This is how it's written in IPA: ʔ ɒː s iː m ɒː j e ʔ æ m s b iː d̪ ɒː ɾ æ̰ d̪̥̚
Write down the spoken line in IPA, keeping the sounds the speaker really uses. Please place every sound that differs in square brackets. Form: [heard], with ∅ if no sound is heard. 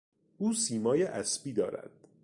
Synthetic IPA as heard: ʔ [uː] s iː m ɒː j e ʔ æ [∅] s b iː d̪ ɒː ɾ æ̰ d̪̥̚